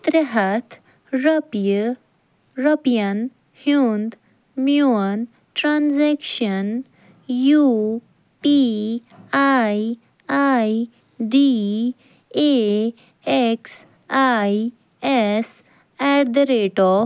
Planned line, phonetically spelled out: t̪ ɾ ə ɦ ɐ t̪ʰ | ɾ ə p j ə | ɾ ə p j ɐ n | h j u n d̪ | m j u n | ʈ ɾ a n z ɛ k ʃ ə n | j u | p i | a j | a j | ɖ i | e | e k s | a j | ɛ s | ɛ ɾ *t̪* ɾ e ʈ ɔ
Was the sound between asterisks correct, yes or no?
no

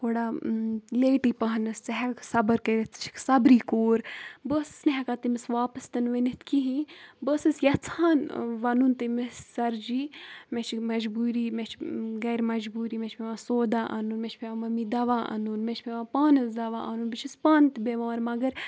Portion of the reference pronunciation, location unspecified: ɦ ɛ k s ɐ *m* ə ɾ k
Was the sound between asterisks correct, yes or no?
no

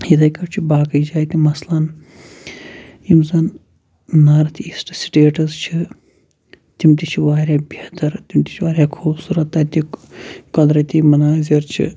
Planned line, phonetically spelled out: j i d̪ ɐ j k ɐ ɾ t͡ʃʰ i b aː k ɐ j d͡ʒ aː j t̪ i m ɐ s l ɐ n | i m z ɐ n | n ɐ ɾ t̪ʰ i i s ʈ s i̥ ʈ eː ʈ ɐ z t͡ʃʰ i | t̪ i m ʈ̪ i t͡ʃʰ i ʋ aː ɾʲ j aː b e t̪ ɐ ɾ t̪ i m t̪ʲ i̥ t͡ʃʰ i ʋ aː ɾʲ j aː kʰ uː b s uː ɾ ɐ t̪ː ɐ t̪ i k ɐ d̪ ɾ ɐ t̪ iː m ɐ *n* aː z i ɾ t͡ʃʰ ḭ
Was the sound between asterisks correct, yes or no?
yes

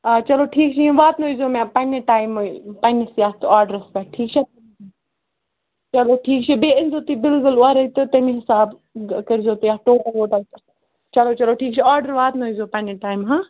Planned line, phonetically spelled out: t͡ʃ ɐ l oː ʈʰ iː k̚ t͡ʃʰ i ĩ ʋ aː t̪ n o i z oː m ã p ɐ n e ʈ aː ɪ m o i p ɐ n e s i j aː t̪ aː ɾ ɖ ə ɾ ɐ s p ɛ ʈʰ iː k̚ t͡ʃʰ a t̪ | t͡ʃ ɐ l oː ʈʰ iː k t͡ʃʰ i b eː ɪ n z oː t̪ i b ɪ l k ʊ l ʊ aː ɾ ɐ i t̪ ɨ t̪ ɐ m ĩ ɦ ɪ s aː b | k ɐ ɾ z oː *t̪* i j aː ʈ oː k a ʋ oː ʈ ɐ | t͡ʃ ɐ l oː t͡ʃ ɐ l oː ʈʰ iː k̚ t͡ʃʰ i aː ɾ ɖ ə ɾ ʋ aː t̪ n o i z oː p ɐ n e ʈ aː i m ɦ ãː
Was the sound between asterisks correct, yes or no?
yes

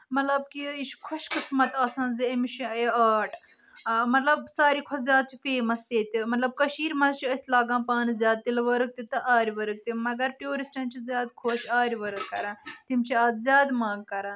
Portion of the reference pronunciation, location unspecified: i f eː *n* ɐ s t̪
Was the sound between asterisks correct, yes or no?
no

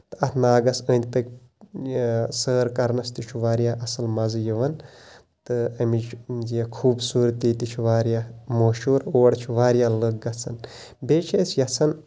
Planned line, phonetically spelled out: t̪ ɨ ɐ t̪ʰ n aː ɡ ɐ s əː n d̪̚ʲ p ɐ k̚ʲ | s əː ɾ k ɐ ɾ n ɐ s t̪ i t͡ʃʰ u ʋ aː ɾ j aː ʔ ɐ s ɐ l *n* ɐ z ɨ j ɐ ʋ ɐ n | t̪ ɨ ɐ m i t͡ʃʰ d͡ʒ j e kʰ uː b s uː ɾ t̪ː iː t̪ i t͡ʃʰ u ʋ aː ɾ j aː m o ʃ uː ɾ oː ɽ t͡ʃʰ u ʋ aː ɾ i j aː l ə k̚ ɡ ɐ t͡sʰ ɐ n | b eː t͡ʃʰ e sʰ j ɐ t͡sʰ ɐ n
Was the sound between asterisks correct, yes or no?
no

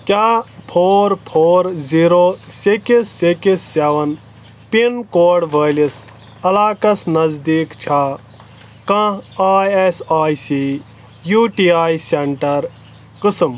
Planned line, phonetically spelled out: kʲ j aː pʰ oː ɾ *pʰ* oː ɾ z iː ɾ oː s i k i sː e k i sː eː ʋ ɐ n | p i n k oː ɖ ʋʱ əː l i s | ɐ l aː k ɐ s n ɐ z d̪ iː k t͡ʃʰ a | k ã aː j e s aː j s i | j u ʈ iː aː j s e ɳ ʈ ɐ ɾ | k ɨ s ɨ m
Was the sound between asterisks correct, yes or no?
yes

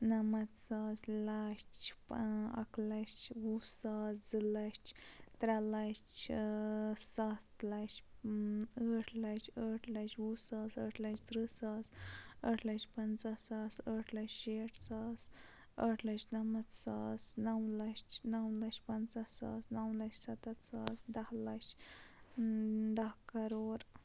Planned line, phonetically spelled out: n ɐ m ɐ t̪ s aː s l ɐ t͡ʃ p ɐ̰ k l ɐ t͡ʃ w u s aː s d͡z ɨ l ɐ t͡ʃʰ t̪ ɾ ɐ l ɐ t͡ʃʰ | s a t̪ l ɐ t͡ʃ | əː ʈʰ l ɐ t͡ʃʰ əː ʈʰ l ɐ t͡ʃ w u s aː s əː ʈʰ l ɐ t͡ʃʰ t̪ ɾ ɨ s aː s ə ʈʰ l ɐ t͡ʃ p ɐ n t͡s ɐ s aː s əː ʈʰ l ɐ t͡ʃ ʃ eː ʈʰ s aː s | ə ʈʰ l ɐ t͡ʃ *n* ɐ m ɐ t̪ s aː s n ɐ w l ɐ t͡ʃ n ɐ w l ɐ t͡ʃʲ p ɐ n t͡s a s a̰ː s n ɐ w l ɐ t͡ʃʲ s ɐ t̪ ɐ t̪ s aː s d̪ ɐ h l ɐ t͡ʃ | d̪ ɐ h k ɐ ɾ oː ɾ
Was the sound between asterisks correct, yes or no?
yes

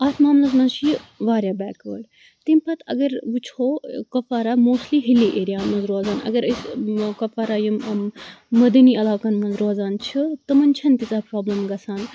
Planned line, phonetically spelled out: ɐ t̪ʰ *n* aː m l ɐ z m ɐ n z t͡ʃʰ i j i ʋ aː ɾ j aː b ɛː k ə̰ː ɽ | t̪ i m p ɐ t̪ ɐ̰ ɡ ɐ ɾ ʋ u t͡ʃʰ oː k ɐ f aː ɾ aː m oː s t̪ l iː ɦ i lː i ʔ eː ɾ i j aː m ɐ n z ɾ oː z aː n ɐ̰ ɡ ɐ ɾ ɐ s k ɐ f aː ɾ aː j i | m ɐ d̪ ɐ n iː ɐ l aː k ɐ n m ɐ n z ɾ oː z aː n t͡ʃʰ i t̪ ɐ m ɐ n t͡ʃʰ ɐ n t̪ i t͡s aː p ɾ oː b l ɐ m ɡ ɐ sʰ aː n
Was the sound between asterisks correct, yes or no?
no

